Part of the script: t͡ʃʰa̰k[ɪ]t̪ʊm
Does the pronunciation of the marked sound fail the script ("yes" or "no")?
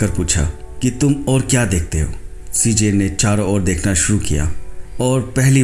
yes